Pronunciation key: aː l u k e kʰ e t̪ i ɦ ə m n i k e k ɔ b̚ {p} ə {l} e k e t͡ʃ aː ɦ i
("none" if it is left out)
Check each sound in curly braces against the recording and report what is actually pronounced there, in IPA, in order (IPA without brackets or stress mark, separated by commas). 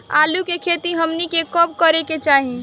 k, ɾ